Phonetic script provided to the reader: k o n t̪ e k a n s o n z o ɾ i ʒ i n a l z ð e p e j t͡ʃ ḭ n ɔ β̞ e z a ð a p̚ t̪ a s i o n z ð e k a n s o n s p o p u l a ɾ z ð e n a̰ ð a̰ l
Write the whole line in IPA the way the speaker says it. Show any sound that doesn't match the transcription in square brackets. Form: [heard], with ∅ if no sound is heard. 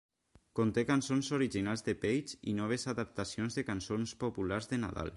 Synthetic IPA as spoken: k o n t̪ e k a n s o n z o ɾ i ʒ i n a l z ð e p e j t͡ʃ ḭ n ɔ β̞ e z a ð a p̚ t̪ a s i o n z ð e k a n s o n s p o p u l a ɾ z ð e n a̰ ð a̰ l